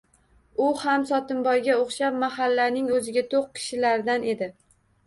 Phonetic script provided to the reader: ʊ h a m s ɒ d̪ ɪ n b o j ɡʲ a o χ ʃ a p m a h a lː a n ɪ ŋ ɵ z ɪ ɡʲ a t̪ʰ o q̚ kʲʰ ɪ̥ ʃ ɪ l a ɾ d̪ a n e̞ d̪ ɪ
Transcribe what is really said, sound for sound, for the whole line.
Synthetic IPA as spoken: ʊ h a m s ɒ t̪ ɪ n b ɒ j ɡʲ a o χ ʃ a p m a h a lː a n ɪ ŋ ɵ z ɪ ɡʲ a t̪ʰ o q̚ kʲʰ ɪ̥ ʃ ɪ l a ɾ d̪ a n e̞ d̪ ɪ